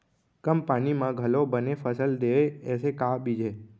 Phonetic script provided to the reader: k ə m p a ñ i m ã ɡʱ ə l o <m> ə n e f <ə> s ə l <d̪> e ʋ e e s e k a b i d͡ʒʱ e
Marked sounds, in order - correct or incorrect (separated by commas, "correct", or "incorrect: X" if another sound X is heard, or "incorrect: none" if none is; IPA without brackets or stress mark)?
incorrect: b, correct, correct